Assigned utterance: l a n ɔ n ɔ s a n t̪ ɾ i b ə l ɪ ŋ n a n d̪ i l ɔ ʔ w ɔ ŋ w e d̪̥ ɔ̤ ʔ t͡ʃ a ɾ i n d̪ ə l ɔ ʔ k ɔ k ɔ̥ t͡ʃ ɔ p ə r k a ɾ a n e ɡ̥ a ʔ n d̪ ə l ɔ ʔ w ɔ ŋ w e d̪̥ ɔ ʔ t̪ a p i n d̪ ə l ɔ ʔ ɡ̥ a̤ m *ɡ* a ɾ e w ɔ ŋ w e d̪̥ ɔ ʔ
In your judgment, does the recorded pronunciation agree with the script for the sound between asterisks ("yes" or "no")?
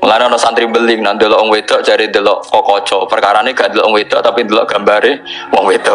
no